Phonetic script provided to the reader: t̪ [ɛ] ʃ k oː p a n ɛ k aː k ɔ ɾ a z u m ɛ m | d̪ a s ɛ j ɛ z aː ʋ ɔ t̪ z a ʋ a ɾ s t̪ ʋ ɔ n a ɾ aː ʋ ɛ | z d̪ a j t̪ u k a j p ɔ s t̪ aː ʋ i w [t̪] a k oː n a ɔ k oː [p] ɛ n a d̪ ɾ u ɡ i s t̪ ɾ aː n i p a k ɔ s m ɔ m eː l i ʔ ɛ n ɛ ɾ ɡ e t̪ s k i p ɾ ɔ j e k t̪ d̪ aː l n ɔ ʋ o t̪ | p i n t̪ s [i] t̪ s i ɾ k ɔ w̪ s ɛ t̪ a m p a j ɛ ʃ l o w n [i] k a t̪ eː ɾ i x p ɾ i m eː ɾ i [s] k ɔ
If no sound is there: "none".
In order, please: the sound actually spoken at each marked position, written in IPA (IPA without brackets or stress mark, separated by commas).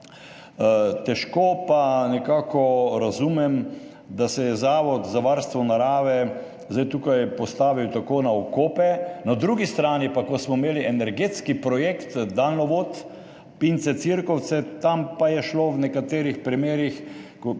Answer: ɛ, t̪, p, ɛ, ɛ, x